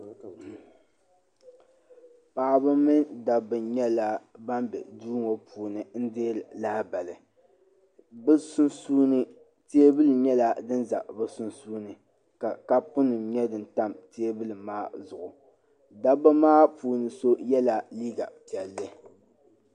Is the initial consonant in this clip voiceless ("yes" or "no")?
yes